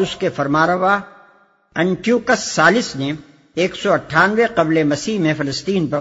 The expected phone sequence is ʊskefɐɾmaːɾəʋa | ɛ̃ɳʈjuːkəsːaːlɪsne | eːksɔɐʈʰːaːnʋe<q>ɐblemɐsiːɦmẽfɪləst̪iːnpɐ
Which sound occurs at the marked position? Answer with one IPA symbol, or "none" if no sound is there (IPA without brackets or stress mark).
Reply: q